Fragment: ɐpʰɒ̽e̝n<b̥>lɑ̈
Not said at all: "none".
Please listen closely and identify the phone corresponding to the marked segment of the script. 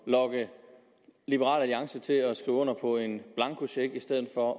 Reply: b̥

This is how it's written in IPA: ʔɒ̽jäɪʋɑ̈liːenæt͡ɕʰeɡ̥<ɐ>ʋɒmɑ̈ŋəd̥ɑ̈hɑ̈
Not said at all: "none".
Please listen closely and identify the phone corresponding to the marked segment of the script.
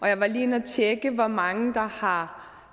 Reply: ə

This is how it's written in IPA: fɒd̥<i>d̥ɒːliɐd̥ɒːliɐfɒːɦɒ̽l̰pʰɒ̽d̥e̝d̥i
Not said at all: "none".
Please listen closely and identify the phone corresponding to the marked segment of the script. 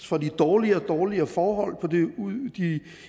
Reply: i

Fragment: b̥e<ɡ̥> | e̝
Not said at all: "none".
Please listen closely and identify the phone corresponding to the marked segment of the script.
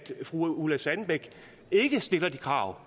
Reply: ɡ̥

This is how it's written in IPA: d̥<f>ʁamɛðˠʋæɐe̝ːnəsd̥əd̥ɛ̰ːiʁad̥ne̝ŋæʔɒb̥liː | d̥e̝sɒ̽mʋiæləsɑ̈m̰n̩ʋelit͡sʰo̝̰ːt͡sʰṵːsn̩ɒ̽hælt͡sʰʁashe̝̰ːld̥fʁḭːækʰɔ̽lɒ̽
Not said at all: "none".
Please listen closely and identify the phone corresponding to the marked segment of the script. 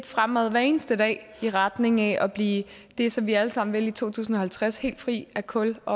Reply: f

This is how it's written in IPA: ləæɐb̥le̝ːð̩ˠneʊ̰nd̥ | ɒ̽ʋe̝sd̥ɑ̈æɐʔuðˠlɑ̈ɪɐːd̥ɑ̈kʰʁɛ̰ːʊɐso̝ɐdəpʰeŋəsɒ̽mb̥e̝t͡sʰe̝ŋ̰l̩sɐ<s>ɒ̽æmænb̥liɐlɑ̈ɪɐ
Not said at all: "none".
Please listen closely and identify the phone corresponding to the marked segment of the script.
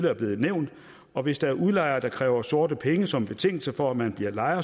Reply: f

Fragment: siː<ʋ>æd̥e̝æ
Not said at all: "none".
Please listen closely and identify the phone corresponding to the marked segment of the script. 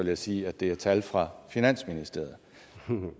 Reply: none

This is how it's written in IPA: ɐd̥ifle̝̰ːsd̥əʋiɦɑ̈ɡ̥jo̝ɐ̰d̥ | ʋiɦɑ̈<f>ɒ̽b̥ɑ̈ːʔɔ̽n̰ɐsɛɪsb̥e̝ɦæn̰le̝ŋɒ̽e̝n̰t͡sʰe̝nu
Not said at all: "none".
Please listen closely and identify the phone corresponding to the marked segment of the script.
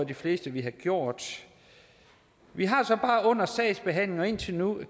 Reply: s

